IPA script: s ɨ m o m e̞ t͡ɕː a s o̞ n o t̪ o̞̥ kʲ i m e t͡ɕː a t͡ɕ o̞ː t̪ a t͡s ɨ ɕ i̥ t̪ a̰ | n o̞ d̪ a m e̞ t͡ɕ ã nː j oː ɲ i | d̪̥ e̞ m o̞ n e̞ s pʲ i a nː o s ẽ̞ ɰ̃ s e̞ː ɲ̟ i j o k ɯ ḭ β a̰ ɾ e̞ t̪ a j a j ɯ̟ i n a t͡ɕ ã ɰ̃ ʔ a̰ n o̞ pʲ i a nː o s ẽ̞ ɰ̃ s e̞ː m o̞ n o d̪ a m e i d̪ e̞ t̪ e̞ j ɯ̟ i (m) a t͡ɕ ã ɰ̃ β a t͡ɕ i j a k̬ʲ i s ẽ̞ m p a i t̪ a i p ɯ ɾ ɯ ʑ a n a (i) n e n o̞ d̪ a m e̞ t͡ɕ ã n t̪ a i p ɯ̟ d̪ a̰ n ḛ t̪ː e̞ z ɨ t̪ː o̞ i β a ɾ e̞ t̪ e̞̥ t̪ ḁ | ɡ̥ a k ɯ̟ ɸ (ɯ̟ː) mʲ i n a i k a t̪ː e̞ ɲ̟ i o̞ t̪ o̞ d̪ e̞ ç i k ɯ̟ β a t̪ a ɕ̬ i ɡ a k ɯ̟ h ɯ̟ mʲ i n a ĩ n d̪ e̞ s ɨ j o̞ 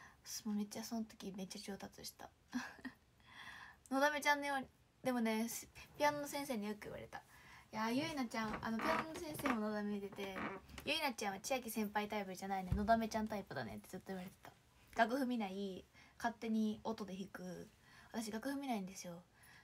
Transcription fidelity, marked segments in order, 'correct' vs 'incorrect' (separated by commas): incorrect, correct, incorrect